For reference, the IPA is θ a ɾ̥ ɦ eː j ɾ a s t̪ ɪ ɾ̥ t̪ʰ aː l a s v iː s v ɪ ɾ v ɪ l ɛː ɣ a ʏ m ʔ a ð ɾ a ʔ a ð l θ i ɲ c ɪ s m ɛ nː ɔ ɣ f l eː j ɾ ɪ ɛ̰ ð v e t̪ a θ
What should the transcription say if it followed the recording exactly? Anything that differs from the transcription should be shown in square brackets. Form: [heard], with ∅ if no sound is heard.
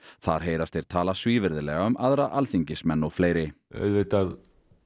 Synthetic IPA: θ a ɾ̥ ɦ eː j ɾ a s t̪ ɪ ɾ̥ t̪ʰ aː l a s v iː [∅] v ɪ ɾ [ð] ɪ l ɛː ɣ a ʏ m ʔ a ð ɾ a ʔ a [∅] l θ i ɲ c ɪ s m ɛ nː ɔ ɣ f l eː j ɾ ɪ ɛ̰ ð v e t̪ a [ð]